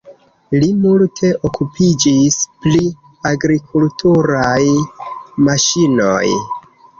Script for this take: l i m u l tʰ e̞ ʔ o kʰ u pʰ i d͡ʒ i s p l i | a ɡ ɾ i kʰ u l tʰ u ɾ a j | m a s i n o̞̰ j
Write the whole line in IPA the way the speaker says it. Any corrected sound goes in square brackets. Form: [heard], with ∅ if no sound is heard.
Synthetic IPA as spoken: l i m u l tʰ e̞ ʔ o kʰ u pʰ i d͡ʒ i s p l i | a ɡ ɾ i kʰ u l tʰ u ɾ a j | m a [ʃ] i n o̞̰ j